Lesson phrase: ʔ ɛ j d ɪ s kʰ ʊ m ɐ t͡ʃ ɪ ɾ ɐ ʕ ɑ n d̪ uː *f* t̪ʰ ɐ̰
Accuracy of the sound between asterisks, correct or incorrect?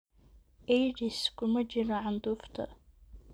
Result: correct